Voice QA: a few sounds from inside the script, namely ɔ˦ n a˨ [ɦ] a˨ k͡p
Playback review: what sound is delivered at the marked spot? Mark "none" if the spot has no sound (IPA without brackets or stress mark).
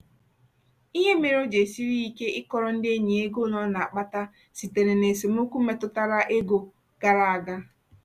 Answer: none